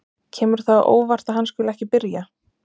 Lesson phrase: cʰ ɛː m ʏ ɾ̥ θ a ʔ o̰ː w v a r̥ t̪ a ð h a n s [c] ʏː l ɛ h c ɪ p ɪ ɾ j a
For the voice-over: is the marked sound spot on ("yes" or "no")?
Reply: no